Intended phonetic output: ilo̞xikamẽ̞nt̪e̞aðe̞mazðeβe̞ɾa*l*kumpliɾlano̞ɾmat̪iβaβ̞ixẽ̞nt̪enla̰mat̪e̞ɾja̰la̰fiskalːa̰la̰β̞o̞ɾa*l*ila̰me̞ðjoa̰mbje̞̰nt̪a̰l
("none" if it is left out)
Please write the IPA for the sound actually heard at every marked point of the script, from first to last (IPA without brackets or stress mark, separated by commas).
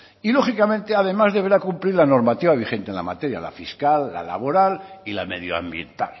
none, l